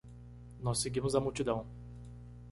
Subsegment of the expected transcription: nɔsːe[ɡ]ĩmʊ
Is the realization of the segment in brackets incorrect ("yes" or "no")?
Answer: no